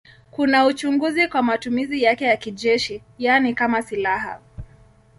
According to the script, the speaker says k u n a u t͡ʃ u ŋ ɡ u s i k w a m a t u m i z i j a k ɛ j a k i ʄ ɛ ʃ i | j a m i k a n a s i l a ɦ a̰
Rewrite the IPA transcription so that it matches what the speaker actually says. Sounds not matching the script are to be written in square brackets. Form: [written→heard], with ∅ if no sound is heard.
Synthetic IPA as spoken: k u n a u t͡ʃ u ŋ ɡ u [s→z] i k w a m a t u m i z i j a k ɛ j a k i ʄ ɛ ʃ i | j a [m→n] i k a [n→m] a s i l a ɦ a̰